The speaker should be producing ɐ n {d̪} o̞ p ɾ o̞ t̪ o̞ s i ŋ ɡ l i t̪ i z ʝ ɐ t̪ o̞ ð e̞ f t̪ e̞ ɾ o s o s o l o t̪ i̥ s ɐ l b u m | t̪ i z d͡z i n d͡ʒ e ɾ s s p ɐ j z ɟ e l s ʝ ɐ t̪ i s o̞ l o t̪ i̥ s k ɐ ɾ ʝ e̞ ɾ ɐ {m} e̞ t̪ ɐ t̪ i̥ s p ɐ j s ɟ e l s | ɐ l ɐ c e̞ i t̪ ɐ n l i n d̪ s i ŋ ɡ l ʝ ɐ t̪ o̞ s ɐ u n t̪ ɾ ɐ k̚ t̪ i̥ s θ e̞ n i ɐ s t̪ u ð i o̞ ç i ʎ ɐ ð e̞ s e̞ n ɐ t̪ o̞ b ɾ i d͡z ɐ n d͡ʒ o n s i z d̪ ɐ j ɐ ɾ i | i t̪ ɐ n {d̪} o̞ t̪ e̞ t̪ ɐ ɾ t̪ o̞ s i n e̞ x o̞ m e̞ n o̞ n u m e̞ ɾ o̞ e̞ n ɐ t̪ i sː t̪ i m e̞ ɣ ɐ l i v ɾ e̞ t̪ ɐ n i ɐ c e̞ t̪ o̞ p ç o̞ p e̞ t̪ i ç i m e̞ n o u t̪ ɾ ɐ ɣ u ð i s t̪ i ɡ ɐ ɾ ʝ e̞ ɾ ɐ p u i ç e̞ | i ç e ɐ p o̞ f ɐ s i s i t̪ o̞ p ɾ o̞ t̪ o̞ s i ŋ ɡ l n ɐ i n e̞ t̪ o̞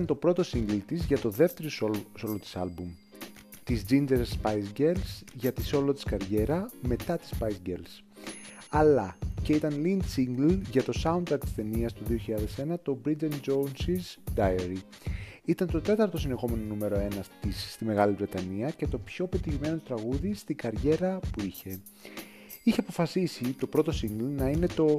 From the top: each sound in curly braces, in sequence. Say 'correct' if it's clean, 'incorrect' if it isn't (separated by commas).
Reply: incorrect, correct, incorrect